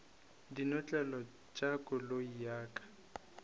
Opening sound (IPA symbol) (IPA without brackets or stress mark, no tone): d